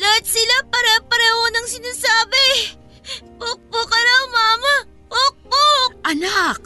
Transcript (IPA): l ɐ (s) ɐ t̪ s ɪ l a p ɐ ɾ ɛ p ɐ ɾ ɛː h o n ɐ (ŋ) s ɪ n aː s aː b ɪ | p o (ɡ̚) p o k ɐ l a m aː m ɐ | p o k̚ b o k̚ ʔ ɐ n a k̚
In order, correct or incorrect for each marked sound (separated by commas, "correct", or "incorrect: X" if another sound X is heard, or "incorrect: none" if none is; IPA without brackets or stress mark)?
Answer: incorrect: none, correct, incorrect: k̚